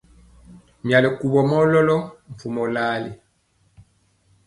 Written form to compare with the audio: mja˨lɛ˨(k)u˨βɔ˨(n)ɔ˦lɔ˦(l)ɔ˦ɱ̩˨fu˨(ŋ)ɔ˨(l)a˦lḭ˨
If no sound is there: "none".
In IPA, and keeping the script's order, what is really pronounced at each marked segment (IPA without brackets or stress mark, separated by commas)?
k, m, l, m, l